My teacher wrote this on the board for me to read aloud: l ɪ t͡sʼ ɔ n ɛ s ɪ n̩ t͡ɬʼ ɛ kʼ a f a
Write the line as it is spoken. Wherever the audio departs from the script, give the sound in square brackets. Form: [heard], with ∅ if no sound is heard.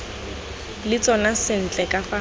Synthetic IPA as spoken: l ɪ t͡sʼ ɔ n [a] s ɪ n̩ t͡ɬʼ ɛ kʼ a f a